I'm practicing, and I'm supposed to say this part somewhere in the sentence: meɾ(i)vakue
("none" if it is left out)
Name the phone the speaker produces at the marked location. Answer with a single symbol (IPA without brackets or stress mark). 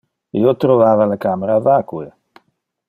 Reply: a